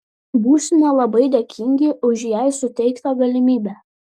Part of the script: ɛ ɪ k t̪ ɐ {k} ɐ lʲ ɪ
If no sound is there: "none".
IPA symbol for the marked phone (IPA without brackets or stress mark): ɡ